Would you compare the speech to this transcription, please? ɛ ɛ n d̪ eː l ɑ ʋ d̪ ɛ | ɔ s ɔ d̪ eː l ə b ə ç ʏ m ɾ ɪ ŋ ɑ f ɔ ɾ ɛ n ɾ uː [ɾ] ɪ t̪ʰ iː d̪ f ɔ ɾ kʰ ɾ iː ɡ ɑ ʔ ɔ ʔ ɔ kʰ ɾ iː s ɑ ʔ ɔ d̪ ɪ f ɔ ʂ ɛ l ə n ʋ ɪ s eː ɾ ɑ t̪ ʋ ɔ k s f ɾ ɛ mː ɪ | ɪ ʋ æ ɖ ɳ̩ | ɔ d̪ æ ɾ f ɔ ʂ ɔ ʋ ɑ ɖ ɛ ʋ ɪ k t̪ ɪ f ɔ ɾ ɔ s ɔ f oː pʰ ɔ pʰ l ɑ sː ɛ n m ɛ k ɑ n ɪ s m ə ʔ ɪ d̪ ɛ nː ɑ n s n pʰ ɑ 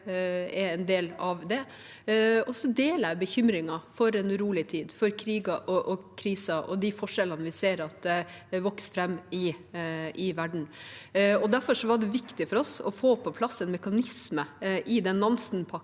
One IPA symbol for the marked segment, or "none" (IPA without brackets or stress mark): l